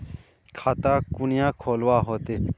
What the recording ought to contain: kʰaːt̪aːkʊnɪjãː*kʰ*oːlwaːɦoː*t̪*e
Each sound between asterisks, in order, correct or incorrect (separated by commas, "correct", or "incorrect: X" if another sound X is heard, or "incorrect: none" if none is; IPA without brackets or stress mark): correct, correct